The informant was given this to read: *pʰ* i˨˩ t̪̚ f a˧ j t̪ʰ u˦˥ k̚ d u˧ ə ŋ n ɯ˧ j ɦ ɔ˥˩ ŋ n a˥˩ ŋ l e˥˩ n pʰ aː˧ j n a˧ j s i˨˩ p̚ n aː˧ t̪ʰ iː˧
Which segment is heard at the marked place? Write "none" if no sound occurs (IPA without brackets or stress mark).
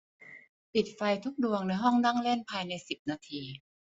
p